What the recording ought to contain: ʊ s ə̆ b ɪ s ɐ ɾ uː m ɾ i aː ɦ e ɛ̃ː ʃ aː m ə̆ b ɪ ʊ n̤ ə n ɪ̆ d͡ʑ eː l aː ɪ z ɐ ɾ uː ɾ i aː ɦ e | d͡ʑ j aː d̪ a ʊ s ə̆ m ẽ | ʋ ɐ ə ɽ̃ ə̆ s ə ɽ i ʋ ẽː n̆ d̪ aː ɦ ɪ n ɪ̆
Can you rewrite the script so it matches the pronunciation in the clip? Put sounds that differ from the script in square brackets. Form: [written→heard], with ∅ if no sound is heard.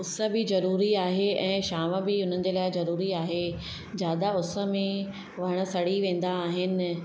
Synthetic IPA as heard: ʊ s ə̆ b ɪ [s→z] ɐ ɾ uː [m→∅] ɾ i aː ɦ e ɛ̃ː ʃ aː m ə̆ b ɪ ʊ n̤ ə n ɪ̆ d͡ʑ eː l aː ɪ z ɐ ɾ uː ɾ i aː ɦ e | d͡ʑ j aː d̪ a ʊ s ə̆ m ẽ | ʋ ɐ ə ɽ̃ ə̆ s [ə→ɐ] ɽ i ʋ ẽː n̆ d̪ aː ɦ ɪ n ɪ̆